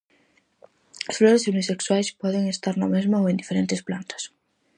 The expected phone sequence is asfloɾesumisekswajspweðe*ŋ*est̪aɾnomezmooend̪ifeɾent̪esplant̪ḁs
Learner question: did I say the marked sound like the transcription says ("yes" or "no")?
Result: yes